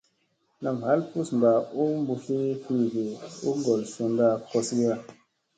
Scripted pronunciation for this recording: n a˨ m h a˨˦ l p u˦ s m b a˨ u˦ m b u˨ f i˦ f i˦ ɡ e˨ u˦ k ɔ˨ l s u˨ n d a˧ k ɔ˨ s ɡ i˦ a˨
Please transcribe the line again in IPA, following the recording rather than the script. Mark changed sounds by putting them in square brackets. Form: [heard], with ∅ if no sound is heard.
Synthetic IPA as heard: n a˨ m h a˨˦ l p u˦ s m b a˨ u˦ m b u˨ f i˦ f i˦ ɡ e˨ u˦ [ɡ] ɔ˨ l s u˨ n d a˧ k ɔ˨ s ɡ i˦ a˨